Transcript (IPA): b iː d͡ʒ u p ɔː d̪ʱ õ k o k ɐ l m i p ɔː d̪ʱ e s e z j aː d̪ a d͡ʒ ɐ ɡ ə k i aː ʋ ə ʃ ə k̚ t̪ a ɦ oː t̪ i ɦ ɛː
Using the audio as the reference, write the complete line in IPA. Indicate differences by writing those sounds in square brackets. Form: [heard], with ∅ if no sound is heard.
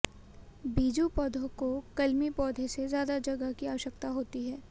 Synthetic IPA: b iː d͡ʒ u p ɔː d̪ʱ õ k o k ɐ l m i p ɔː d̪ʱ e s e z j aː d̪ a d͡ʒ ɐ ɡ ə k i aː ʋ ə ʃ ə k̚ t̪ a ɦ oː t̪ i ɦ ɛː